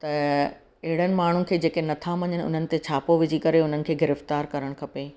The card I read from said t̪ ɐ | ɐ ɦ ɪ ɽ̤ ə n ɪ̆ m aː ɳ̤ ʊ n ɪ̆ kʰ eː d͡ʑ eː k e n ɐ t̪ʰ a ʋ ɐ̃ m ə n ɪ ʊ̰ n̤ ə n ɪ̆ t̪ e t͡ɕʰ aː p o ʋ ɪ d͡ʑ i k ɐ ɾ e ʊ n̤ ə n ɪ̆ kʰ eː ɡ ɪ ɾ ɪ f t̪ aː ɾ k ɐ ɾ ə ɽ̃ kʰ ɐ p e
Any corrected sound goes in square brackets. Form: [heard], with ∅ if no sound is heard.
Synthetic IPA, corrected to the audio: t̪ ɐ | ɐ ɦ ɪ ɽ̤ ə n ɪ̆ m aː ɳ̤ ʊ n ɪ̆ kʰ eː d͡ʑ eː k e n ɐ t̪ʰ a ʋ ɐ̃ [ɲ] ə n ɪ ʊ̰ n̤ ə n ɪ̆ t̪ e t͡ɕʰ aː p o ʋ ɪ d͡ʑ i k ɐ ɾ e ʊ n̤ ə n ɪ̆ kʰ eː ɡ ɪ ɾ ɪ f t̪ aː ɾ k ɐ ɾ ə ɽ̃ kʰ ɐ p e